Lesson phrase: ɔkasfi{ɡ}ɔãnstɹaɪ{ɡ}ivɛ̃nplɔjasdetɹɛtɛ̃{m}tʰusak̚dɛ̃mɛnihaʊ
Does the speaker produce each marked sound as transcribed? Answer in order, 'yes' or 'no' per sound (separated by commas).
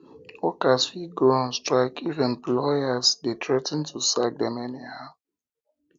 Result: yes, no, no